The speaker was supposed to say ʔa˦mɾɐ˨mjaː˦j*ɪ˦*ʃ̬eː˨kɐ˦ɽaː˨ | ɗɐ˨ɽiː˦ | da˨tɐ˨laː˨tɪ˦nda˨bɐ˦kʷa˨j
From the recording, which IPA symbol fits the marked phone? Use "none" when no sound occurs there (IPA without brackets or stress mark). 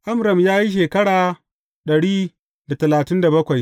i˦